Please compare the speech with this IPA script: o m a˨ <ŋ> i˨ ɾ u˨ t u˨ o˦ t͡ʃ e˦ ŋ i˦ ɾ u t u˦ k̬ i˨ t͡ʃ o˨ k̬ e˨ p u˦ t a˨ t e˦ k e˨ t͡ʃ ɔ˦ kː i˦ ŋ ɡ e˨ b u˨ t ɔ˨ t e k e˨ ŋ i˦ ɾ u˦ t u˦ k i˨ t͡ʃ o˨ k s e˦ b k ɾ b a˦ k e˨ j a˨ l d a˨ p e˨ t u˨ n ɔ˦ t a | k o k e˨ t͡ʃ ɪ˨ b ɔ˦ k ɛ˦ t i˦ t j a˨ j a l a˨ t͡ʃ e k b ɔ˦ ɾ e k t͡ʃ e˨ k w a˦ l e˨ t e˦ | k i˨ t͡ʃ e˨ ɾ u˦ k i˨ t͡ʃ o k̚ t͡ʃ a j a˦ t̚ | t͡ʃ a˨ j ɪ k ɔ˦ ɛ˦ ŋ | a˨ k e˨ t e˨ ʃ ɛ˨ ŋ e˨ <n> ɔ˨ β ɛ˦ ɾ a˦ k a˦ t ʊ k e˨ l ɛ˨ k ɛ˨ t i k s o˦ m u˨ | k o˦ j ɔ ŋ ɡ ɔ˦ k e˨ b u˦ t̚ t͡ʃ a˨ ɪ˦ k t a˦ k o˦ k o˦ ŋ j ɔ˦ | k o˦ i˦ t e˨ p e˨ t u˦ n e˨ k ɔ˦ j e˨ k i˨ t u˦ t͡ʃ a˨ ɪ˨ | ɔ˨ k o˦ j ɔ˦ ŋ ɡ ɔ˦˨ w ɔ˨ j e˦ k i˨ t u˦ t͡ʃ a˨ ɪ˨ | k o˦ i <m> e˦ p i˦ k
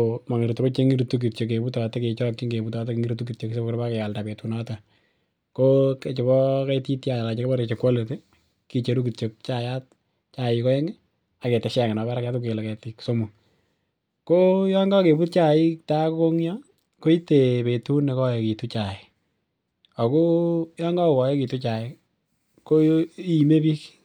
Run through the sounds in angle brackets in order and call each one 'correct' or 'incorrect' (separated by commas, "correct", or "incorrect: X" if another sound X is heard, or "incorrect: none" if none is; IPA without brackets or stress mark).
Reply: correct, correct, correct